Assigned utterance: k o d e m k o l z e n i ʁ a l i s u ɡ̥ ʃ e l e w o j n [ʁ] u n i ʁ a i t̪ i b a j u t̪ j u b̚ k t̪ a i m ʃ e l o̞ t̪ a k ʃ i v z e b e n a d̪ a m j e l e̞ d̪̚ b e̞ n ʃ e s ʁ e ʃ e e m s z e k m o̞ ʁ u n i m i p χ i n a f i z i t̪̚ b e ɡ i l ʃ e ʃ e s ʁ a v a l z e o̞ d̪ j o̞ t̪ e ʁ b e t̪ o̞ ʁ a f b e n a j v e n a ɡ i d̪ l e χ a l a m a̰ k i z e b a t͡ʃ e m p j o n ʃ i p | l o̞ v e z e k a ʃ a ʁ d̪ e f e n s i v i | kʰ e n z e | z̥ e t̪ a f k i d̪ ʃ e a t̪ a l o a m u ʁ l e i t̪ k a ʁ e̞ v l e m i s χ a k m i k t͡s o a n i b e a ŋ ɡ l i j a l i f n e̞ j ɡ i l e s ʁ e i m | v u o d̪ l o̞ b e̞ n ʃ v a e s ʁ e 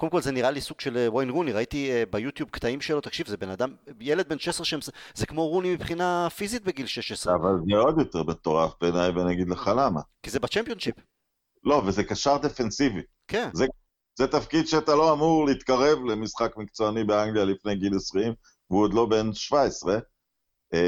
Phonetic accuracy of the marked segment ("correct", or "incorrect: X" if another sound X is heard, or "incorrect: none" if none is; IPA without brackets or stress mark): correct